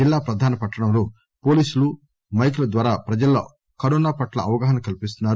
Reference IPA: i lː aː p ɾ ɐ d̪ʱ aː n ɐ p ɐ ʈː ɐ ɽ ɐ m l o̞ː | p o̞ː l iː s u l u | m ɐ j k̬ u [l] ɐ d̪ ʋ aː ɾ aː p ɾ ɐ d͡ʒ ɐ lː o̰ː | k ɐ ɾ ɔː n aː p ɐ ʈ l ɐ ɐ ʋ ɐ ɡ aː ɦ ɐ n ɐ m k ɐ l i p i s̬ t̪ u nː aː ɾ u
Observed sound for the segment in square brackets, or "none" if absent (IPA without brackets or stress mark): l